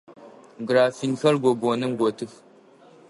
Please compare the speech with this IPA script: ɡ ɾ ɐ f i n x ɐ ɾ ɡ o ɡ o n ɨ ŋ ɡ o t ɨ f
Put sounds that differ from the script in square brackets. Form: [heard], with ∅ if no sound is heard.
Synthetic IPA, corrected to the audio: ɡ ɾ [a] f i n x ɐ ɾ ɡ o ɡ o n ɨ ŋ ɡ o t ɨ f